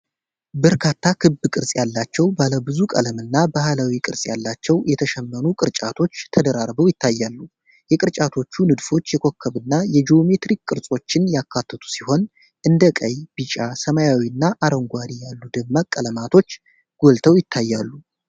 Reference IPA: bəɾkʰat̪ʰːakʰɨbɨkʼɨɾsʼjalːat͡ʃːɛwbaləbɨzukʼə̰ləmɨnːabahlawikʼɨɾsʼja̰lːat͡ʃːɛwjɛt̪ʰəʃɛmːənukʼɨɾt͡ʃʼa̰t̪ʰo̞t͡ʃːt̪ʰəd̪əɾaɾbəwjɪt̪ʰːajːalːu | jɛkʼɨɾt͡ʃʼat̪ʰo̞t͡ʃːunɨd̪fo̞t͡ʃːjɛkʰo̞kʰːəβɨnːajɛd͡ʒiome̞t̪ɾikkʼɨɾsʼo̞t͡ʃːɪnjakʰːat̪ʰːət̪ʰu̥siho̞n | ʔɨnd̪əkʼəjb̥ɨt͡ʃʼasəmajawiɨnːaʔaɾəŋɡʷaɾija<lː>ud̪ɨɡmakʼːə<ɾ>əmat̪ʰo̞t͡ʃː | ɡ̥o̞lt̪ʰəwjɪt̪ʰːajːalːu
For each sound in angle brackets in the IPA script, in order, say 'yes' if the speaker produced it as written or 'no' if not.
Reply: yes, no

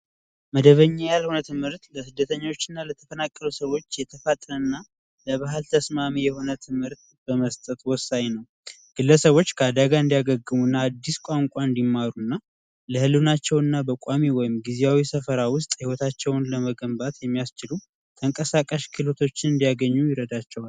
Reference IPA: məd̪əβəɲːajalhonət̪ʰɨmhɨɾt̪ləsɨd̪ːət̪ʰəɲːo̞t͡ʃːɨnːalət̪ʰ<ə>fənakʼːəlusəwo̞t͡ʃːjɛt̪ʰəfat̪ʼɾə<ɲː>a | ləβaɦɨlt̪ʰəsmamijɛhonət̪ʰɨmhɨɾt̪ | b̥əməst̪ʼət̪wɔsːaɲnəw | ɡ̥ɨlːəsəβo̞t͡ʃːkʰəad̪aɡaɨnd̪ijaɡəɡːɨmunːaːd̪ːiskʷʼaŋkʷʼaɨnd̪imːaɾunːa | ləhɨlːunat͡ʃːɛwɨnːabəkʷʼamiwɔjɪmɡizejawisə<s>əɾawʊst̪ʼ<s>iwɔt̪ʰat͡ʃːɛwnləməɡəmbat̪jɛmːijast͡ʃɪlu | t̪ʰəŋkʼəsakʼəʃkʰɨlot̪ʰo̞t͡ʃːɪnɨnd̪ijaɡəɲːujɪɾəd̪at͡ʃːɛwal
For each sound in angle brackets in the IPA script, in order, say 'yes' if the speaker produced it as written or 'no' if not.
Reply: yes, no, no, no

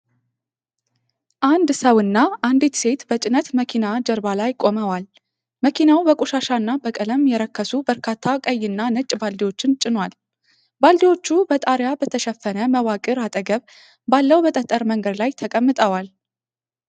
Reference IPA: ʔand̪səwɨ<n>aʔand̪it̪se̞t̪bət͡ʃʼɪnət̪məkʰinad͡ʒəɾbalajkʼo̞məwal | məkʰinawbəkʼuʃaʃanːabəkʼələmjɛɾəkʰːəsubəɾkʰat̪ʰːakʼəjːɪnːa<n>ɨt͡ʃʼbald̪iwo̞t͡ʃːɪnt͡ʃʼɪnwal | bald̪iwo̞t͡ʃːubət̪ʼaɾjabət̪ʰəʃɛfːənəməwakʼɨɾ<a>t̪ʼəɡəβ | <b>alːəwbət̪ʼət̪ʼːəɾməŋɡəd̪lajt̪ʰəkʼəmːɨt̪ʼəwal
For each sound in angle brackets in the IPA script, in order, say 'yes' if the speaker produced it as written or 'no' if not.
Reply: no, yes, yes, yes

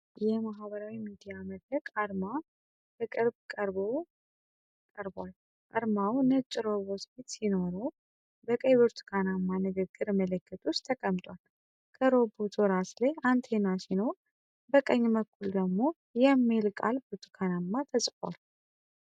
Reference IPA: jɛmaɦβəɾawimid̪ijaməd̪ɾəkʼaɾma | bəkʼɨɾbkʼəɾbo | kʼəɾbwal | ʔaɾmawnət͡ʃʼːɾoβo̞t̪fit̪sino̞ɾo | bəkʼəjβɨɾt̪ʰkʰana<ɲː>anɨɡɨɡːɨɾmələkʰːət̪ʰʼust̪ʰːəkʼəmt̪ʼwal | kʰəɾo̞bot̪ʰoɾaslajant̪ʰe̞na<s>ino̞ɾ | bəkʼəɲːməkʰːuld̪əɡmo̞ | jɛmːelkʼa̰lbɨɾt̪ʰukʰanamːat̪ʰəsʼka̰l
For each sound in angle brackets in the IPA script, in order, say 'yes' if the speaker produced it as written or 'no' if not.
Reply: no, yes

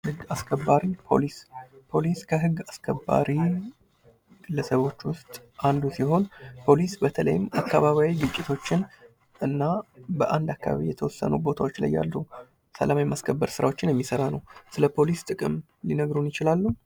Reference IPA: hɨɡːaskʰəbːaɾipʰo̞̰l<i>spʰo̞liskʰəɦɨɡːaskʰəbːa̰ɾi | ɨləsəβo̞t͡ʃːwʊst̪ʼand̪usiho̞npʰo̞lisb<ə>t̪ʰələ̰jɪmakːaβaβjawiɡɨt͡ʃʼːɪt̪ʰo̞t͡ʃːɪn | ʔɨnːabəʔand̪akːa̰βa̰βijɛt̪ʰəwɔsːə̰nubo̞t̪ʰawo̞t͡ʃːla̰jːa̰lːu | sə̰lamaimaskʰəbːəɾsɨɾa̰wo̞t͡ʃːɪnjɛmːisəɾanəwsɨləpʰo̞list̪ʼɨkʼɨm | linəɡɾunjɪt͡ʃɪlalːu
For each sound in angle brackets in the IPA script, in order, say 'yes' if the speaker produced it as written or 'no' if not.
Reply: yes, yes

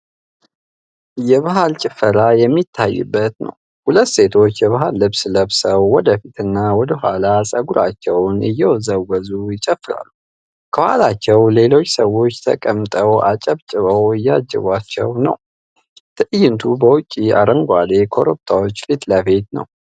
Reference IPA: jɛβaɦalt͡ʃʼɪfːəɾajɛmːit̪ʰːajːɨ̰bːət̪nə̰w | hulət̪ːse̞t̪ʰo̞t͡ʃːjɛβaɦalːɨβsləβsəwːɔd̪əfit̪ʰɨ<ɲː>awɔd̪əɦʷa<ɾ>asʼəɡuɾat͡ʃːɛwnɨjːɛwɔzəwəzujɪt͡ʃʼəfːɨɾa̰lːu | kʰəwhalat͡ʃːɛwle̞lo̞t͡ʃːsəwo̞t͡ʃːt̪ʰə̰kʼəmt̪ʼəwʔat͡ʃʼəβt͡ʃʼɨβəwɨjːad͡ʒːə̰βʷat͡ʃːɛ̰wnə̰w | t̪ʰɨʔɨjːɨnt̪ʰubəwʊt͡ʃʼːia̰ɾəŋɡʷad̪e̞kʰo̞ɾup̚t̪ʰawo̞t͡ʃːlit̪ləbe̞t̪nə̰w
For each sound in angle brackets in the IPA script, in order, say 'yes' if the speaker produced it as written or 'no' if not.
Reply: no, no

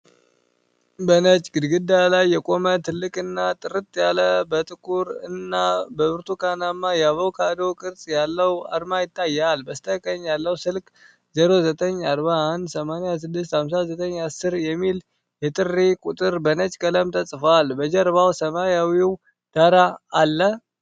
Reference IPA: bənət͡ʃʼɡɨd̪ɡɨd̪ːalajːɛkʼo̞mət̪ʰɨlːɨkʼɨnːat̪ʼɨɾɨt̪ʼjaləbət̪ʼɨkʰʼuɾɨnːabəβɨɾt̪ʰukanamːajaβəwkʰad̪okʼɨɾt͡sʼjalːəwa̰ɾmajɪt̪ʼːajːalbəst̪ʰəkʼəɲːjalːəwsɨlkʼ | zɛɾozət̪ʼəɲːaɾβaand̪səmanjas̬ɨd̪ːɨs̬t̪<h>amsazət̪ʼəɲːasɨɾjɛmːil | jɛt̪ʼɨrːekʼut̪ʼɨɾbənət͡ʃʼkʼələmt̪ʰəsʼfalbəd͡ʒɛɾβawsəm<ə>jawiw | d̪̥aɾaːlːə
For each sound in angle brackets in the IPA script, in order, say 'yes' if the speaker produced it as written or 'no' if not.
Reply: yes, no

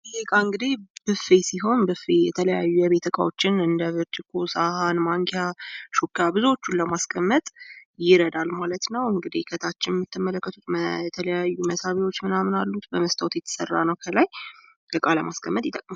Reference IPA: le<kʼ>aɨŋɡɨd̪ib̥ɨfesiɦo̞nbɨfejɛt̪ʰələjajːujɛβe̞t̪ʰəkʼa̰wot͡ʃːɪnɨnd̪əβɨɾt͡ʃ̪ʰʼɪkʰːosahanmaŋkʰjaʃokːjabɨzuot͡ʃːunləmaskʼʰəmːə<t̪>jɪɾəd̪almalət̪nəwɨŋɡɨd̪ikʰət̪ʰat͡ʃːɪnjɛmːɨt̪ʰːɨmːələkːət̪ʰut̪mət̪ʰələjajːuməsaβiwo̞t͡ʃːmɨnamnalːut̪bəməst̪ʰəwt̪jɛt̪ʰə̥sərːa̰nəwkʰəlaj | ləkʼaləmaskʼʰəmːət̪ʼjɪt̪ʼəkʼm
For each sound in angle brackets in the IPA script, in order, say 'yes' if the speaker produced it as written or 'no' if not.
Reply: yes, no

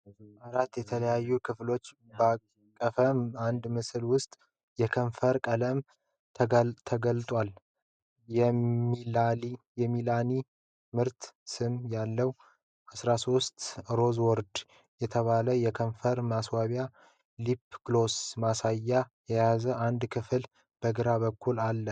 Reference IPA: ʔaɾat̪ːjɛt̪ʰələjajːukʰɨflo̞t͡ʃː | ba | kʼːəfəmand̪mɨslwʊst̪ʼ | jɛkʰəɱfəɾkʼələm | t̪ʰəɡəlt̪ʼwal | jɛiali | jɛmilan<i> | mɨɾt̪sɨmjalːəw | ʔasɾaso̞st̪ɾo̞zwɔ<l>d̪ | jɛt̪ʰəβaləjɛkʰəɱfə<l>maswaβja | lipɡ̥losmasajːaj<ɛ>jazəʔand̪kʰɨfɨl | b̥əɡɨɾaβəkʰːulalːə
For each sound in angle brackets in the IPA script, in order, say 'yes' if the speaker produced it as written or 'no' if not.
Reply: yes, no, no, yes

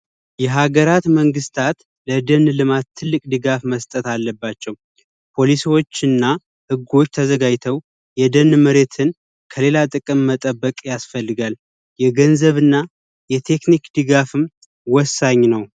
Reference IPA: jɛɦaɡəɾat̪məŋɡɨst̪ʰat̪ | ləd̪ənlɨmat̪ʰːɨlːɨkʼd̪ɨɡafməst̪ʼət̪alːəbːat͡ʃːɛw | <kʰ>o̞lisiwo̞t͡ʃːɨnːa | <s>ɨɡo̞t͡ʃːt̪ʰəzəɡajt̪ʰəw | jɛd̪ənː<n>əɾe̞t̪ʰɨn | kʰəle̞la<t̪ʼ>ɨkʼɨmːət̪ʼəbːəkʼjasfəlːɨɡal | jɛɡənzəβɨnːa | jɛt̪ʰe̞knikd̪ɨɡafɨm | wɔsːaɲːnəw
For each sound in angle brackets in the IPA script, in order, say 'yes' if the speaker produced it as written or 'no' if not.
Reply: no, no, no, yes

